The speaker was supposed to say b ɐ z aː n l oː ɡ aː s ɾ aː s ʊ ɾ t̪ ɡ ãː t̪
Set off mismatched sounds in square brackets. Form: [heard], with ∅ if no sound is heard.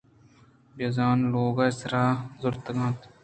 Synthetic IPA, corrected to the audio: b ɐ z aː n l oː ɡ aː s ɾ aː [z] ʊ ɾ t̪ ɡ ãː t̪

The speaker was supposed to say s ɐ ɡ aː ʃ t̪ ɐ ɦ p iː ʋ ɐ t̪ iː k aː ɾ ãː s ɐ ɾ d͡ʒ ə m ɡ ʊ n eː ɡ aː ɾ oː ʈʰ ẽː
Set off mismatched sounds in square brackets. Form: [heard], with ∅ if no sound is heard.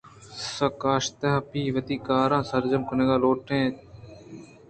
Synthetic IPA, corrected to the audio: s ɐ [k] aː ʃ t̪ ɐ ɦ p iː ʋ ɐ t̪ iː k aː ɾ ãː s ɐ ɾ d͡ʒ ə m [k] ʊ n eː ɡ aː [l] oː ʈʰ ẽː

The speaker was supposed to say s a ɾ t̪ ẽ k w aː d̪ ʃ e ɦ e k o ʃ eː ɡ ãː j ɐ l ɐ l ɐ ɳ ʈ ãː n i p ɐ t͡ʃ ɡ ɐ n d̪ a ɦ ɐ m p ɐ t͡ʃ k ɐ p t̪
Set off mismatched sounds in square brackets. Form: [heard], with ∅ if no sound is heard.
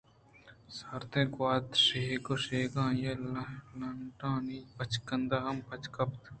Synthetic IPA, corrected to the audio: s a ɾ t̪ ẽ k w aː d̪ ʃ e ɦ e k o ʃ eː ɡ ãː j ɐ l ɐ l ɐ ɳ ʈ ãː n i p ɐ t͡ʃ [k] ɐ n d̪ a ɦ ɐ m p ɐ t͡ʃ k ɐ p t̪

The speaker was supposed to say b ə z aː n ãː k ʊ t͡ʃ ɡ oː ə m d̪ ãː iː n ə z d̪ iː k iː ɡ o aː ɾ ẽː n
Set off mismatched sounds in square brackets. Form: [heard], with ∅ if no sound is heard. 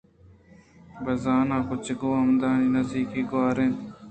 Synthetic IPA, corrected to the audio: b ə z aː n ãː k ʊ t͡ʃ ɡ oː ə m d̪ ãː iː n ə z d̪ iː k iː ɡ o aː ɾ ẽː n

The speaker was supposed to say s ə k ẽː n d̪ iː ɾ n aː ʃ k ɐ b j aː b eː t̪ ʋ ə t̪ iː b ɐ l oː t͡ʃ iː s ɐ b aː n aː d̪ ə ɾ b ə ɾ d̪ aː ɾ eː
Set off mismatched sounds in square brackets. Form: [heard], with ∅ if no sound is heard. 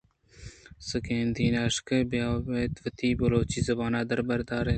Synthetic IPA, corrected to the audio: s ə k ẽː n d̪ iː [∅] n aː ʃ k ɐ b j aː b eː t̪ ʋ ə t̪ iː b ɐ l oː t͡ʃ iː [z] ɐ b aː n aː d̪ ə ɾ b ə ɾ d̪ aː ɾ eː

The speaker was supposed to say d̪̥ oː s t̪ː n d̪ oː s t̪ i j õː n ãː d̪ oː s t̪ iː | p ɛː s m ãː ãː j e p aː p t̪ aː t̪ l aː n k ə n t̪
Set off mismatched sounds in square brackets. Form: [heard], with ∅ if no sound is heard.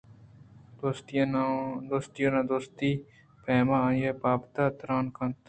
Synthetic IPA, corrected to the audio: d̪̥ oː s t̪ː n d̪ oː s t̪ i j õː n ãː d̪ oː s t̪ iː | p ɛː [∅] m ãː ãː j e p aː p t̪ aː t̪ [ɾ] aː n k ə n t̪

